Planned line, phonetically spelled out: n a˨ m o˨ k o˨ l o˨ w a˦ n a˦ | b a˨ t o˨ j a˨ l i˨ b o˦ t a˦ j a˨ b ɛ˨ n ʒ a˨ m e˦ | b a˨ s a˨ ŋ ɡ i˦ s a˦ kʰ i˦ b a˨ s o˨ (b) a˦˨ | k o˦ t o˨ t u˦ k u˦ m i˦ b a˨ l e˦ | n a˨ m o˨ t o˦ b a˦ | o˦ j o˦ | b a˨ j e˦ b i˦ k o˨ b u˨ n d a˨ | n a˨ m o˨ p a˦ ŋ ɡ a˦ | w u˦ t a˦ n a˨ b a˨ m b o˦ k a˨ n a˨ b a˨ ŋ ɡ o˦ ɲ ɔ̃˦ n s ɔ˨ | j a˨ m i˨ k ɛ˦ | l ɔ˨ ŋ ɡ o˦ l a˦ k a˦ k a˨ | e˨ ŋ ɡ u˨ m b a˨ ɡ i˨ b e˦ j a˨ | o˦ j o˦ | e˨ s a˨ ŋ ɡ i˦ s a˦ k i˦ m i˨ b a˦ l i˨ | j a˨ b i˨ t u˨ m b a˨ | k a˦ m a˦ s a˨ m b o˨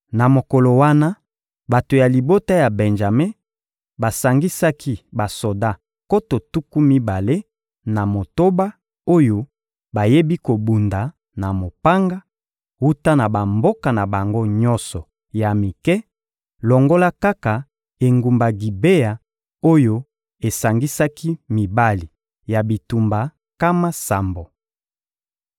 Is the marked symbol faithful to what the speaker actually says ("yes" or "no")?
no